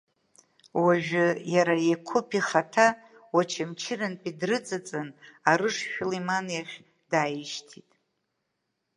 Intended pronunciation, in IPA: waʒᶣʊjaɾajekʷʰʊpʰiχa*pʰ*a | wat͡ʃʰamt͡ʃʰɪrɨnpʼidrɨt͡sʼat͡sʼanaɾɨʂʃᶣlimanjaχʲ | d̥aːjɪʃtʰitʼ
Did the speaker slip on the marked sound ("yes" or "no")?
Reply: yes